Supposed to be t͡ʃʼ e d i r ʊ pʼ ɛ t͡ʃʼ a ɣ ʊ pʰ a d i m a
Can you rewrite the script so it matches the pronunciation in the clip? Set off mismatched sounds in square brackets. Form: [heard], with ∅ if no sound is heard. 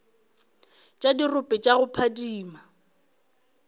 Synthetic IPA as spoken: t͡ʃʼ [a] d i r ʊ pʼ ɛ t͡ʃʼ a ɣ ʊ pʰ a d [iː] m a